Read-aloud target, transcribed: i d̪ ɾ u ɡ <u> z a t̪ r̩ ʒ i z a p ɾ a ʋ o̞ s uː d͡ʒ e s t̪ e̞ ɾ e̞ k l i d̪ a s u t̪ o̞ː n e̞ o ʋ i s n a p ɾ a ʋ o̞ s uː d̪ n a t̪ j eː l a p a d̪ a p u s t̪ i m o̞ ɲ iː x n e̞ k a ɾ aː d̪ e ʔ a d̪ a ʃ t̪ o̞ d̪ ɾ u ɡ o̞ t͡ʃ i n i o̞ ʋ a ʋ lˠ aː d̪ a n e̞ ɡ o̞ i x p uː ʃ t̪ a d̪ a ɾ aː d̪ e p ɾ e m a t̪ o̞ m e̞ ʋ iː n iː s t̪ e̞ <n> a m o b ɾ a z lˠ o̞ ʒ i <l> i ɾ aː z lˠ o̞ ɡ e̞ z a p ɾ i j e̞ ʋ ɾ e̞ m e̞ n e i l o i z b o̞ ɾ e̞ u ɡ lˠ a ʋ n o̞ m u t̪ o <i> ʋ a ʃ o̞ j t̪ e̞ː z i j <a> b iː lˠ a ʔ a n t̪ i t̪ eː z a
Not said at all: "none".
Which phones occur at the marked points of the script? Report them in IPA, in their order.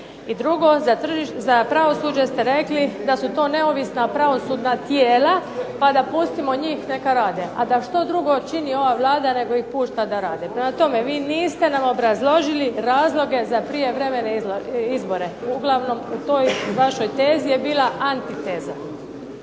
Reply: o, n, l, j, e

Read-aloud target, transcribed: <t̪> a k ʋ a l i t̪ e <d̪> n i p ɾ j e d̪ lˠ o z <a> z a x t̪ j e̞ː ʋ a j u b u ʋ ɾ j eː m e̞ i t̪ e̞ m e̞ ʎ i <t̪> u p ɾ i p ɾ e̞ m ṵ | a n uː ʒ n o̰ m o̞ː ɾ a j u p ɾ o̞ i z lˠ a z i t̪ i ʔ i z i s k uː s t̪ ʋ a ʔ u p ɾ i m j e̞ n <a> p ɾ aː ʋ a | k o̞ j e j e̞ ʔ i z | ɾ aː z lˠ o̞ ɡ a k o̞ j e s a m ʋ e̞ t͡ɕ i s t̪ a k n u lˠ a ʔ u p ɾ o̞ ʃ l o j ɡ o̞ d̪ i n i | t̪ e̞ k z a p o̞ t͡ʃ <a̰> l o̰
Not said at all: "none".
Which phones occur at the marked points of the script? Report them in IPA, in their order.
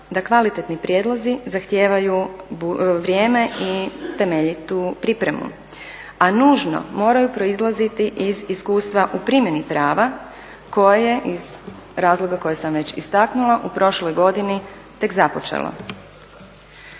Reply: d̪, t̪, i, t̪, i, ḛ

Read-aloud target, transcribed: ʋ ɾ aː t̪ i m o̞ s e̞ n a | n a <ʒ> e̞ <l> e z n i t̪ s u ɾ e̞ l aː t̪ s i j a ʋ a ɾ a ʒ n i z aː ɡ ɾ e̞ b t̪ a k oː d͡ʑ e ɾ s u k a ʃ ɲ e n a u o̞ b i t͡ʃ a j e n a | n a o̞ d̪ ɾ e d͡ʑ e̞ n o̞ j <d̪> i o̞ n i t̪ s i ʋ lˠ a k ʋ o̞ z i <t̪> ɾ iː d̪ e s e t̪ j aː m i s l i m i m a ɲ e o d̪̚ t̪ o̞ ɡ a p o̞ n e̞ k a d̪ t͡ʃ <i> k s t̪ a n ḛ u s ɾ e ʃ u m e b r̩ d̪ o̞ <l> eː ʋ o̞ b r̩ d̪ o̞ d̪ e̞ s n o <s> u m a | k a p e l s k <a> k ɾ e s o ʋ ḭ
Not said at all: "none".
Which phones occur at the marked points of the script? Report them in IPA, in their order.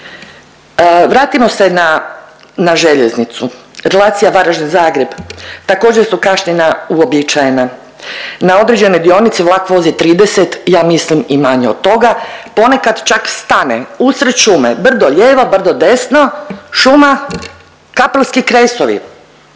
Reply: ʒ, ʎ, d̪, t̪, a, ʎ, ʃ, i

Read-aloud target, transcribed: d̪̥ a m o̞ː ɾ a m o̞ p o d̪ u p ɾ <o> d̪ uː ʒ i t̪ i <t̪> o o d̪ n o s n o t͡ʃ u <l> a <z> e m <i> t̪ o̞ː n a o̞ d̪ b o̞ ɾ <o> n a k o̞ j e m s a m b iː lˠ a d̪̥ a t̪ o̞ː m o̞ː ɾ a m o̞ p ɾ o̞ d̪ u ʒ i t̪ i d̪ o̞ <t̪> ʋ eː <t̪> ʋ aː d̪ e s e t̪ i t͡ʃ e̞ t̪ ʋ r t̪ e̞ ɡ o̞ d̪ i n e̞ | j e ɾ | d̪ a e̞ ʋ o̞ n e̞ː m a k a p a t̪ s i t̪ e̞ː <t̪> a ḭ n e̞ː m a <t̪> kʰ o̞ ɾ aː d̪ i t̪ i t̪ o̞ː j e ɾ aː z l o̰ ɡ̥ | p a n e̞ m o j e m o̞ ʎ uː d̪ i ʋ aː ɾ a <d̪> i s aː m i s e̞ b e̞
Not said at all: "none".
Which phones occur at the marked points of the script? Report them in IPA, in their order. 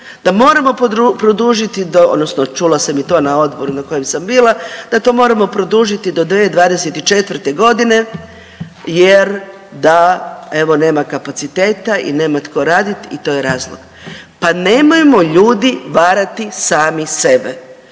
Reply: o, d̪, l, s, i, u, d̪, d̪, t̪, t̪, t̪

